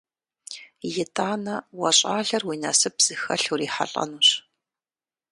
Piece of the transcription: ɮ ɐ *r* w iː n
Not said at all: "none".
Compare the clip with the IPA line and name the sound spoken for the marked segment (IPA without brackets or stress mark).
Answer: r